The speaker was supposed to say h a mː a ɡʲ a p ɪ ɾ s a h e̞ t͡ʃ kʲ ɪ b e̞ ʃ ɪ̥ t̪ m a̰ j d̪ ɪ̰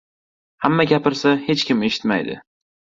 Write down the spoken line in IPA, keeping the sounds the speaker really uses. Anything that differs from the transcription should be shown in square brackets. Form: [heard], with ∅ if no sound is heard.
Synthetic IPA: h a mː a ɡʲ a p ɪ ɾ s a h e̞ t͡ʃ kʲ ɪ [m] e̞ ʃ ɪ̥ t̪ m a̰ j d̪ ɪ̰